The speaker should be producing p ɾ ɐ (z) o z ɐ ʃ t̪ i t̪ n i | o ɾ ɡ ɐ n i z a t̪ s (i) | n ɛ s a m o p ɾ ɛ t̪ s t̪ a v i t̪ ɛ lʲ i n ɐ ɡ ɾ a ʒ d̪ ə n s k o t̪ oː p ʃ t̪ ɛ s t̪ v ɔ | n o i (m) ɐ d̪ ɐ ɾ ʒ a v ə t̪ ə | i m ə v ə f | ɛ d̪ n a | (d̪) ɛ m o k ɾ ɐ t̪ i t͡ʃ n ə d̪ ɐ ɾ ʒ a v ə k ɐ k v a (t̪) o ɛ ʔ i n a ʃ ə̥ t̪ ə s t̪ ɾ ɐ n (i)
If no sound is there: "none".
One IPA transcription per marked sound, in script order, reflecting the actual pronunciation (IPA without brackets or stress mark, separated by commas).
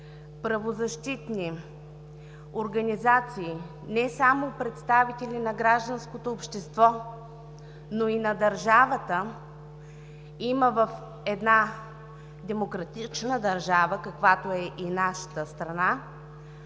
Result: v, iː, n, d̪, t̪, a